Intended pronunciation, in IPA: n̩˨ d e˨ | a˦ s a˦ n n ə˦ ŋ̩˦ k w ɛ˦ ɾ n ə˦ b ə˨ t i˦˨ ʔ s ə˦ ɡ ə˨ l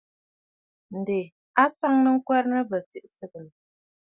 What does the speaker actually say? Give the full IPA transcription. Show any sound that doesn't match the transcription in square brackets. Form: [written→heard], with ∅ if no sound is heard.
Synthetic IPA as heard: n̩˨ d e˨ | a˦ s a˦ [n→ŋ] n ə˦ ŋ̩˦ k w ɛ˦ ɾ n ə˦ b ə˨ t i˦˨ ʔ s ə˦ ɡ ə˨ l